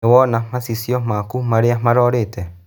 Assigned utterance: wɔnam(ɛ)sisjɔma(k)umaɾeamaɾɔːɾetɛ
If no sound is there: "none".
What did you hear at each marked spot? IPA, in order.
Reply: a, k

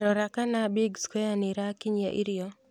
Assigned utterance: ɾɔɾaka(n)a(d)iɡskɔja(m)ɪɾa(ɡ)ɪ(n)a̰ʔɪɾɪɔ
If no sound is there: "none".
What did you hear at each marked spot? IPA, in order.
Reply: n, b, n, k, ɲ

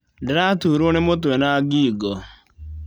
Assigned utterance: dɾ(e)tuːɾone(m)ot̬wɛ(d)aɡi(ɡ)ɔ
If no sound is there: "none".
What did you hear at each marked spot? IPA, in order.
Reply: a, m, n, ɡ

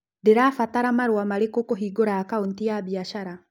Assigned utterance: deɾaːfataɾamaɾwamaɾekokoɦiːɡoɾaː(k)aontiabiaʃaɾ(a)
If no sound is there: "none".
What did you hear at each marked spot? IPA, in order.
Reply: k, a

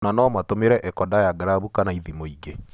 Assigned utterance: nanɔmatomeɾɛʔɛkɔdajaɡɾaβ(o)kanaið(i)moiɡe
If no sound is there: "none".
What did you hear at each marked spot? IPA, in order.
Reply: u, i

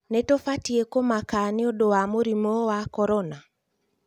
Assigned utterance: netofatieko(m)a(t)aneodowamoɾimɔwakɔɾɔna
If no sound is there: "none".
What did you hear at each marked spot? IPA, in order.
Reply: m, k

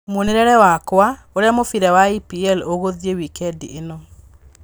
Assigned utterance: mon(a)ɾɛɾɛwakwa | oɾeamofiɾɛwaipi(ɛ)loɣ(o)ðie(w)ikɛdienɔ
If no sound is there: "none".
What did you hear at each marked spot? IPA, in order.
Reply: e, ɛ, o, w

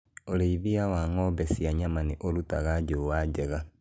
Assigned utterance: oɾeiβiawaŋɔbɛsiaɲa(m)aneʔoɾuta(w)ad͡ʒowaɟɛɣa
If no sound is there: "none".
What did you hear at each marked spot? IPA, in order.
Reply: m, ɣ

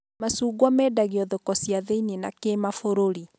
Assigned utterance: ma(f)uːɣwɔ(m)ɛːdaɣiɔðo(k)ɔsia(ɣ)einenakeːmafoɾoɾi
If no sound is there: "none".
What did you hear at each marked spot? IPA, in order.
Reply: s, m, k, ð

